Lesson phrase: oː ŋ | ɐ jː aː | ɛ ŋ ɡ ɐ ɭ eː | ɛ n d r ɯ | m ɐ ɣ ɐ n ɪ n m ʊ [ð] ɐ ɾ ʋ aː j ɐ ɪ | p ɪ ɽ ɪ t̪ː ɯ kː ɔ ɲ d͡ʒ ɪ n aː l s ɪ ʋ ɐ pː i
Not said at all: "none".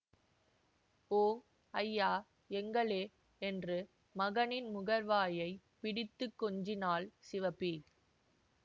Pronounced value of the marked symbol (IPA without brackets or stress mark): ɣ